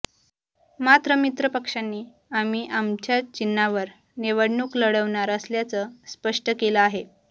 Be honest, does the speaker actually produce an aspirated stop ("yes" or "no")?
no